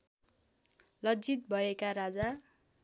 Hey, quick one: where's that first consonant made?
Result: tongue tip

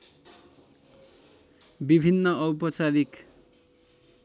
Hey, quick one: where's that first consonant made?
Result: lips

